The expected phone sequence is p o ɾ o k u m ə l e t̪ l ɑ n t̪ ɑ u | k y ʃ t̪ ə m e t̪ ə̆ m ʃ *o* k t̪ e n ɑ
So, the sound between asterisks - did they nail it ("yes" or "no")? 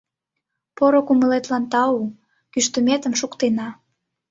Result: no